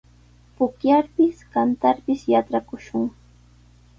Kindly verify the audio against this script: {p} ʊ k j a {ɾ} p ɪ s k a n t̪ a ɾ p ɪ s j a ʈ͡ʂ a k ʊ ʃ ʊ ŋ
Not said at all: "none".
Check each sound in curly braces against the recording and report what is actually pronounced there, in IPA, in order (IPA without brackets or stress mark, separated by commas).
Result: p, ɾ